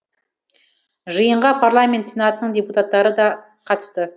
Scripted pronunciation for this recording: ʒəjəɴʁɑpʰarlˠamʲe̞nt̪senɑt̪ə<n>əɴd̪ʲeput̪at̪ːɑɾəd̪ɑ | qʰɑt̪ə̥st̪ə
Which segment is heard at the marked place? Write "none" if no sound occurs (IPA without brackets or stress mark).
n